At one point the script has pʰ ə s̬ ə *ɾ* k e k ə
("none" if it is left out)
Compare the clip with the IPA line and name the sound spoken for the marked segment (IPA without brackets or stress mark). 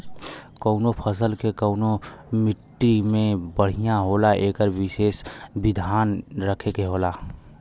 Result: l